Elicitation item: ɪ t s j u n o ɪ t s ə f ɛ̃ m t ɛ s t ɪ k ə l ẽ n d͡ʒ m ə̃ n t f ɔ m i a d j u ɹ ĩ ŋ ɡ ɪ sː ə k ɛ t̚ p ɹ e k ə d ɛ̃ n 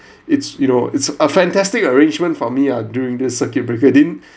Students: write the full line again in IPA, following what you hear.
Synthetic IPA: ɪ t s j u n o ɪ t s ə f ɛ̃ n t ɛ s t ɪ k ə ɹ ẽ n d͡ʒ m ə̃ n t f ɔ m i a d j u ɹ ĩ ŋ d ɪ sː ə k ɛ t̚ b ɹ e k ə d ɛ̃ n